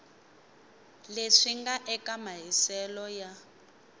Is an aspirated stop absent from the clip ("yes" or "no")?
yes